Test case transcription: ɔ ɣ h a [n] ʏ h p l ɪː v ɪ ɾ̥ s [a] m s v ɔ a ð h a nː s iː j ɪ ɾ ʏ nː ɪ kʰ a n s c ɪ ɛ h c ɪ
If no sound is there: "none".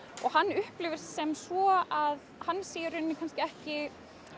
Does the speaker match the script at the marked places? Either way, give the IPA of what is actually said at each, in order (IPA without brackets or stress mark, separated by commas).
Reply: nː, ɛ